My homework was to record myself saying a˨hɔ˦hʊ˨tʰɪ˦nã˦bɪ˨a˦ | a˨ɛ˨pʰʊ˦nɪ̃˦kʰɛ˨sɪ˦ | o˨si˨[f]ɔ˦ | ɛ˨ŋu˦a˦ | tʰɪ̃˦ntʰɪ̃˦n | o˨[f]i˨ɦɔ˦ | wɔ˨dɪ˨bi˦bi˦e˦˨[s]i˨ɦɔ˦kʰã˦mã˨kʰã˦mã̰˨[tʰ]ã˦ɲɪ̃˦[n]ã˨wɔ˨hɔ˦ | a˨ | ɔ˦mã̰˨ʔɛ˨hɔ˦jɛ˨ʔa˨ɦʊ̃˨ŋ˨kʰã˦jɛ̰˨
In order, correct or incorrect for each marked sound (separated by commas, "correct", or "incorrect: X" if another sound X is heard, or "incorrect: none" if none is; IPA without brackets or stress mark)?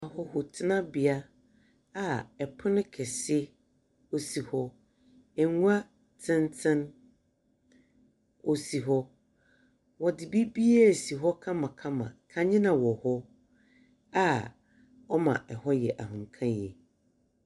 incorrect: h, incorrect: s, correct, incorrect: kʰ, correct